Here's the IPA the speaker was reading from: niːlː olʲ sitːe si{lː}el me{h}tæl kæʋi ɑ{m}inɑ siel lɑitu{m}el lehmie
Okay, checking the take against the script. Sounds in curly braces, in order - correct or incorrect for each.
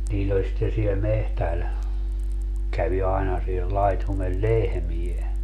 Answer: incorrect: none, correct, incorrect: none, correct

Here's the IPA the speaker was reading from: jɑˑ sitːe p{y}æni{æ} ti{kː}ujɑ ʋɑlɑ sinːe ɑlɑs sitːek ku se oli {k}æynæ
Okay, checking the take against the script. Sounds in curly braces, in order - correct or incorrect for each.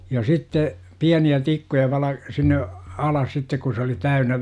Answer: incorrect: i, correct, correct, incorrect: t

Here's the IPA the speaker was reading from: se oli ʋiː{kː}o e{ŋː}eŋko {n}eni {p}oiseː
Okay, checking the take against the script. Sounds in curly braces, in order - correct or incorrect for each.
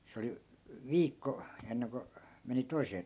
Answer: correct, incorrect: nː, incorrect: m, incorrect: t

